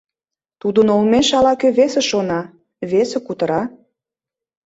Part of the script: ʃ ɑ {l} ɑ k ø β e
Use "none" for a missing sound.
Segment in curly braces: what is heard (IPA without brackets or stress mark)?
l